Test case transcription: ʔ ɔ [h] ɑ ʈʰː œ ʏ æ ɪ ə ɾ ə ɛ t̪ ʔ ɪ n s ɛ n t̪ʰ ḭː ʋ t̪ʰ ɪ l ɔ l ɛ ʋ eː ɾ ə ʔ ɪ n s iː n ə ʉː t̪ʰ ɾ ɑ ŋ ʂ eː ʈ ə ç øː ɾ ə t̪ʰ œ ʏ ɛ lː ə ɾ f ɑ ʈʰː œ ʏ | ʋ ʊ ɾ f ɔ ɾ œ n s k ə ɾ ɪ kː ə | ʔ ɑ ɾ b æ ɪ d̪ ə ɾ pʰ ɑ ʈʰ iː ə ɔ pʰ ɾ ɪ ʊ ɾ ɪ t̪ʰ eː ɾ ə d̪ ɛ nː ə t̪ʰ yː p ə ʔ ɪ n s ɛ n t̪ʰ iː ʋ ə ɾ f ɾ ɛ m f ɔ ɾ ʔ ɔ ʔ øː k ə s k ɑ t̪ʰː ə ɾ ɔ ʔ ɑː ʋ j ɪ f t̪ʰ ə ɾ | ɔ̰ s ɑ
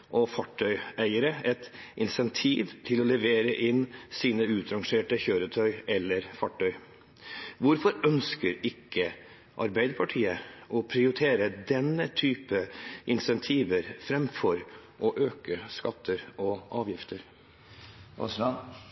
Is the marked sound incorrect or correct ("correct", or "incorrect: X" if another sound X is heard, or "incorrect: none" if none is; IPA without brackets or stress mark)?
incorrect: f